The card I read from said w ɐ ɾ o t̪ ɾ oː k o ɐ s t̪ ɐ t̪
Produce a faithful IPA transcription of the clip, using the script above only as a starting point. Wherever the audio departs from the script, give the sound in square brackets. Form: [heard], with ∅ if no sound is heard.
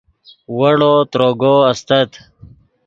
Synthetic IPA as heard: w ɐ [ɽ] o t̪ ɾ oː [ɡ] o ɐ s t̪ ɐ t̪